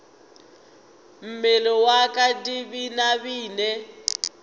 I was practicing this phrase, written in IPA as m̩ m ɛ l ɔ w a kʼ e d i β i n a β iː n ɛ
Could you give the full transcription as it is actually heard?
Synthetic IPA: m̩ m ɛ l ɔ w a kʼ a d i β i n a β iː n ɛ